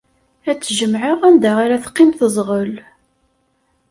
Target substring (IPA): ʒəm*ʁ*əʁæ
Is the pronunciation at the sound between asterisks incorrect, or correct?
incorrect